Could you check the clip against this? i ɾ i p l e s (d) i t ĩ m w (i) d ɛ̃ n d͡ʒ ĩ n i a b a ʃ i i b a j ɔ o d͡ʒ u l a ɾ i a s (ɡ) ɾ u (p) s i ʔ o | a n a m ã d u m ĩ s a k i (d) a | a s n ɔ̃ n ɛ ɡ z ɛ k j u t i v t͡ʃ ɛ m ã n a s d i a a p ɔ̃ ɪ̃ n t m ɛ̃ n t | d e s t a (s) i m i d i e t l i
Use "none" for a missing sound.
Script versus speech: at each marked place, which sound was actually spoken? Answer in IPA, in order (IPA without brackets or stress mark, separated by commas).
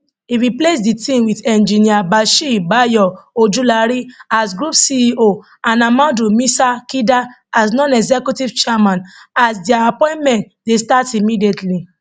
d, i, ɡ, p, d, t